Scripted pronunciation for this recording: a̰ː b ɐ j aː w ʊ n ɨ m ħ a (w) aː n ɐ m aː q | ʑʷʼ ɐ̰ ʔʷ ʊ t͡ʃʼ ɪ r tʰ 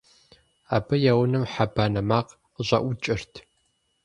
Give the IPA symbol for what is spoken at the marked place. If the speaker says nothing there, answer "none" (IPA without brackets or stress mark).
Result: b